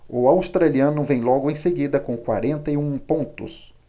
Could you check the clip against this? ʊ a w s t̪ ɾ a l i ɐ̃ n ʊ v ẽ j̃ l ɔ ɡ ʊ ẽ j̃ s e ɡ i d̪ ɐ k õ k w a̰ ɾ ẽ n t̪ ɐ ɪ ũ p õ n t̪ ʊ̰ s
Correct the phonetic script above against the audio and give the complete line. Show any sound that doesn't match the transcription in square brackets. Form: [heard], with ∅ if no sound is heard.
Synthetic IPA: ʊ a w s t̪ ɾ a l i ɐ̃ n ʊ v ẽ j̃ l ɔ ɡ ʊ ẽ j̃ s e ɡ i d̪ ɐ k õ k w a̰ ɾ ẽ n t̪ ɐ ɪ ũ p õ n t̪ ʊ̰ s